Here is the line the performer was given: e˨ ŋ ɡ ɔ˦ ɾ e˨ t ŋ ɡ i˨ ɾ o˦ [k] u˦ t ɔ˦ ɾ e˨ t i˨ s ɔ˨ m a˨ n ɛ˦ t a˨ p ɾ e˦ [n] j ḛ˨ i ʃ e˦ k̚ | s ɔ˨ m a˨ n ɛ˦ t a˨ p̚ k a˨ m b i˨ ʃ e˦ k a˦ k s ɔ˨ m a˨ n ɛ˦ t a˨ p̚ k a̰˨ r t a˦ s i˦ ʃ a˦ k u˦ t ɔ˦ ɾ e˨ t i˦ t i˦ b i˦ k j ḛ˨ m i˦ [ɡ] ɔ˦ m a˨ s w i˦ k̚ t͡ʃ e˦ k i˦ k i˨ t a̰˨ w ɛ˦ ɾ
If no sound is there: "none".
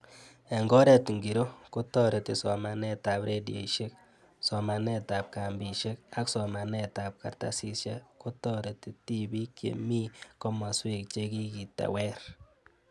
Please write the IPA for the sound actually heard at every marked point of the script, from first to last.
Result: k, d, k

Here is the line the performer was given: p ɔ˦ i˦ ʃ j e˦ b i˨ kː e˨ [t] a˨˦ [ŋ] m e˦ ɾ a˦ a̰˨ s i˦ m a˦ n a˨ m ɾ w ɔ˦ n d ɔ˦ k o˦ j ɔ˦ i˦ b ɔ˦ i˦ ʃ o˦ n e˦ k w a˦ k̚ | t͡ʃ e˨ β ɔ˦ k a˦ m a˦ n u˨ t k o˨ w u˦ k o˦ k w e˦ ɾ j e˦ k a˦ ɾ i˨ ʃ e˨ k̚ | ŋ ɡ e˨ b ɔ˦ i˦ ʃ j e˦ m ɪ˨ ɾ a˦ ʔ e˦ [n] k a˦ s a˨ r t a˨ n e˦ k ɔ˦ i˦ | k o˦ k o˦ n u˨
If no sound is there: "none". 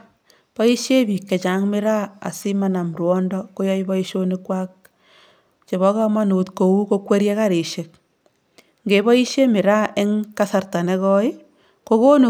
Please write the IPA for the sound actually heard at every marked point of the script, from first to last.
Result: t͡ʃ, ŋ, ŋ

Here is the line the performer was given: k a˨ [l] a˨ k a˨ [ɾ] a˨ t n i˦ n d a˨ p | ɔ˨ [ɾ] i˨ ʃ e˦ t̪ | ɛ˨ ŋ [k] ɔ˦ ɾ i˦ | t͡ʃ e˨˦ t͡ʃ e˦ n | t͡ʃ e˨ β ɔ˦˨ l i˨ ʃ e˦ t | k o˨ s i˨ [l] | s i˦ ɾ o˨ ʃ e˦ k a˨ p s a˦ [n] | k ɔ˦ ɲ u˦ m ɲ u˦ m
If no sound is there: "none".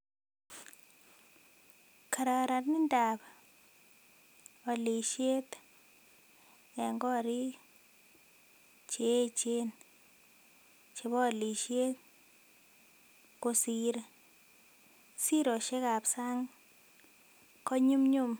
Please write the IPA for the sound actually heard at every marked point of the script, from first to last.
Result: ɾ, ɾ, l, ɡ, ɾ, ŋ

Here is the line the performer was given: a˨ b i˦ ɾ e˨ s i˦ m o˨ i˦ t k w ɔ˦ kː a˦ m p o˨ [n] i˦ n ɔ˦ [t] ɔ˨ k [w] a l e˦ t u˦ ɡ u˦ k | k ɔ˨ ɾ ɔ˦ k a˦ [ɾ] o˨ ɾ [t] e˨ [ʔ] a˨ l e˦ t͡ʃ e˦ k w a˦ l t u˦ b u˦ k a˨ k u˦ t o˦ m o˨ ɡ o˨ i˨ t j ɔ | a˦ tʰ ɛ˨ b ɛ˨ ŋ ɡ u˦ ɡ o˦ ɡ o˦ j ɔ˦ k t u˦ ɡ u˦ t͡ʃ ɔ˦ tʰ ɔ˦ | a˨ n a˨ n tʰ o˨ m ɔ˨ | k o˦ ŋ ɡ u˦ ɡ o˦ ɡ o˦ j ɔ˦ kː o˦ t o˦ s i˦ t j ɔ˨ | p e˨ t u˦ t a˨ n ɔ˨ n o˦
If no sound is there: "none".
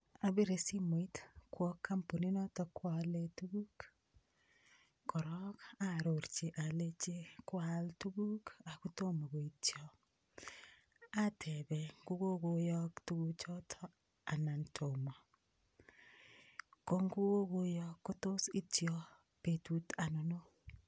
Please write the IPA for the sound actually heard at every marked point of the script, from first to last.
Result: n, t, w, ɾ, t͡ʃ, ʔ

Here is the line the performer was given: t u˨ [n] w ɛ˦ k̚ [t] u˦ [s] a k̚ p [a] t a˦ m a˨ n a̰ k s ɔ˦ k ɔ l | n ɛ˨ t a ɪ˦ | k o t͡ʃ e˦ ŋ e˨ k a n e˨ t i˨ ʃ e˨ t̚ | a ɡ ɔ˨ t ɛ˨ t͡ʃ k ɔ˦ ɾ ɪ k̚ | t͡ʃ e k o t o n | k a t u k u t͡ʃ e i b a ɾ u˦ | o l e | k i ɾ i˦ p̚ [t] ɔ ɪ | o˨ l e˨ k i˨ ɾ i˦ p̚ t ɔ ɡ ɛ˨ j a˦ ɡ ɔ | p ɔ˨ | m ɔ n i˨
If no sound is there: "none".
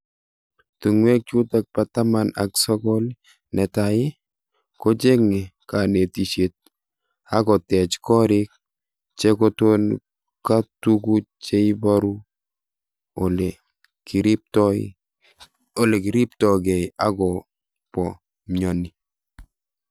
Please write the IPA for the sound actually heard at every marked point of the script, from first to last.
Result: ŋ, t͡ʃ, t, a, t

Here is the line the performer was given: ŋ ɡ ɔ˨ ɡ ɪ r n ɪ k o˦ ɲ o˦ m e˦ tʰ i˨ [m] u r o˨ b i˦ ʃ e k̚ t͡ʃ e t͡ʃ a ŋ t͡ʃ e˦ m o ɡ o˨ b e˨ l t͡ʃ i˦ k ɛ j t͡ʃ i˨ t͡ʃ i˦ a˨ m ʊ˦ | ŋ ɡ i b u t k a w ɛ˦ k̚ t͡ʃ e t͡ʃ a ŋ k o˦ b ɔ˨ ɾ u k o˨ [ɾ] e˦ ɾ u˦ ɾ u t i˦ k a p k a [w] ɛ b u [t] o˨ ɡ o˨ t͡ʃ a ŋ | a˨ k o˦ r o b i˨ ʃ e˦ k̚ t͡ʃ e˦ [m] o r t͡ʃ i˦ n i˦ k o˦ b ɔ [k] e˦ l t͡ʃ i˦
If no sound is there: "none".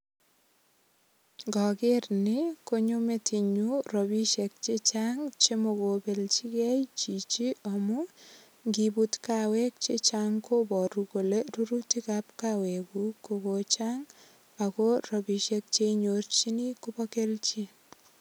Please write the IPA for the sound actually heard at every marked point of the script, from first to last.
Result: ɲ, l, w, k, ɲ, k

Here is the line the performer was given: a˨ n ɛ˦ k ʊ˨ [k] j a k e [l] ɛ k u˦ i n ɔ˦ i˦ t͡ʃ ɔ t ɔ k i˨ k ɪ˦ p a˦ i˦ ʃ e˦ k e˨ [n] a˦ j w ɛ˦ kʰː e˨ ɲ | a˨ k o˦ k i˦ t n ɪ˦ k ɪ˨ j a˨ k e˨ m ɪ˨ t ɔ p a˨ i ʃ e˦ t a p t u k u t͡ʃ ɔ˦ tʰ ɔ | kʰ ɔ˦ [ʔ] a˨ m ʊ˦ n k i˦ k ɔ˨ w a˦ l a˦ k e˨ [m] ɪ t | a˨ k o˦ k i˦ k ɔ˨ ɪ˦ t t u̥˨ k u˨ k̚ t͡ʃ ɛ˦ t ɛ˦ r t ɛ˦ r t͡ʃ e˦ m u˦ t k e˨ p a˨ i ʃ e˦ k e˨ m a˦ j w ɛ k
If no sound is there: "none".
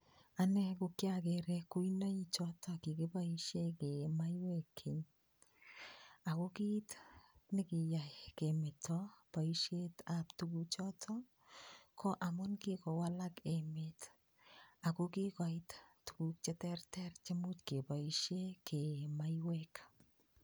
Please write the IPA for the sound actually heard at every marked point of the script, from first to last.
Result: k, ɾ, m, ʔ, m

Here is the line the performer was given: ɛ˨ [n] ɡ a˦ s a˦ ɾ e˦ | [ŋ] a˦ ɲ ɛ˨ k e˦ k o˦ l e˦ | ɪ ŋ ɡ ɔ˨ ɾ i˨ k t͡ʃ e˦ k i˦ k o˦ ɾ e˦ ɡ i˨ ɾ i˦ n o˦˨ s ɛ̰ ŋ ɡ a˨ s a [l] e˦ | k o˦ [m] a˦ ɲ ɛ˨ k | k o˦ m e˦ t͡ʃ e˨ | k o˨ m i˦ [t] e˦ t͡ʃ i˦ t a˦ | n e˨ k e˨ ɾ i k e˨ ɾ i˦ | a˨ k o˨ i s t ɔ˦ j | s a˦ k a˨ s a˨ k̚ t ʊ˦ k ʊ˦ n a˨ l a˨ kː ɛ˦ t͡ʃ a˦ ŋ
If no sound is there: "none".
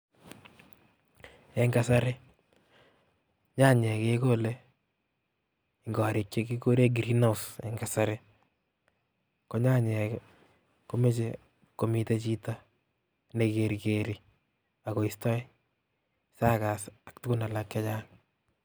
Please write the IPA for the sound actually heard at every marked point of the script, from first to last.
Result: ŋ, ɲ, ɾ, ɲ, t

